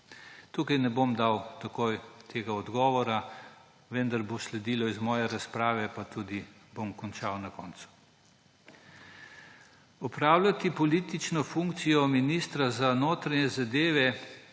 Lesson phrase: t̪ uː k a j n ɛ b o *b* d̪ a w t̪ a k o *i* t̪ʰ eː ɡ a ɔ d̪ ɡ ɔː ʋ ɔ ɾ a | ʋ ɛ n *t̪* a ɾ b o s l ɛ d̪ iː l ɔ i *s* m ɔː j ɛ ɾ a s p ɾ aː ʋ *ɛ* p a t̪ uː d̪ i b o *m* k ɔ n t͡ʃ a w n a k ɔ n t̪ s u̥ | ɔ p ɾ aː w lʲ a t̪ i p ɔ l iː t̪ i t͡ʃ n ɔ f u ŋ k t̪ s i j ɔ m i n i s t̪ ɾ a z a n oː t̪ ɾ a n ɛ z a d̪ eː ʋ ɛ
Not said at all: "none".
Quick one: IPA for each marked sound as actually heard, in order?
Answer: m, j, d̪, z, ɛ, m

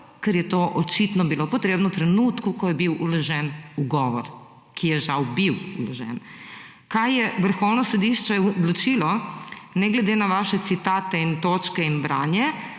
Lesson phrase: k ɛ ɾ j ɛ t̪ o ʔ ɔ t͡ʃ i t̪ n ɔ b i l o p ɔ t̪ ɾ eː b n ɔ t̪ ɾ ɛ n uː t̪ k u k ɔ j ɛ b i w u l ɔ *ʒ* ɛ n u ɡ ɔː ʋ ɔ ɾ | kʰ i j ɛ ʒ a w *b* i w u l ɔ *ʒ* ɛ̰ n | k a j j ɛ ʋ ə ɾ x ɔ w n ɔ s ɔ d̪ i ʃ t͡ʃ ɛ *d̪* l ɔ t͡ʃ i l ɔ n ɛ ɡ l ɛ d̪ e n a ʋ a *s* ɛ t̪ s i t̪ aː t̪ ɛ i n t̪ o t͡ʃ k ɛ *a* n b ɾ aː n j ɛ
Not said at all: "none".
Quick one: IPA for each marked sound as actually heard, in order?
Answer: ʒ, b, ʒ, d̪, ʃ, i

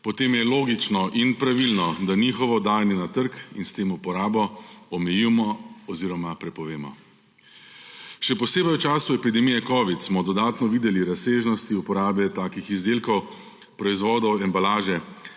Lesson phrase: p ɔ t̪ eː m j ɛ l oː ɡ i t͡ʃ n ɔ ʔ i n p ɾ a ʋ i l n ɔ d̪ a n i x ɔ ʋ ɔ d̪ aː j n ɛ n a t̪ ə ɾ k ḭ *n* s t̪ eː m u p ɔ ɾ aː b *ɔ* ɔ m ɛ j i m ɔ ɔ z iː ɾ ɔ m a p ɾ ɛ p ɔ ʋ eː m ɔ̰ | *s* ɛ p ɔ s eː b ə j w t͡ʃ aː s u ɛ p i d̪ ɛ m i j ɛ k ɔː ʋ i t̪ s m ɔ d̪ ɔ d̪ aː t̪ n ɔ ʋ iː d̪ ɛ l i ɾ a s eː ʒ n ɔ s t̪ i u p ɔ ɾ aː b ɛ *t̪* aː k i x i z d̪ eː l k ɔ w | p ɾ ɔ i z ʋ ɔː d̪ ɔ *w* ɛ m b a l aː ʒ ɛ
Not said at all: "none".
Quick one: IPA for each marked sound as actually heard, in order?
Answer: n, ɔ, ʃ, t̪, w

